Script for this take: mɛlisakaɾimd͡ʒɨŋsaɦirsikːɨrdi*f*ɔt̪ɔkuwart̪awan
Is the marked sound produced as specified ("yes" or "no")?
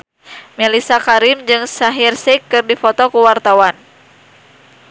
yes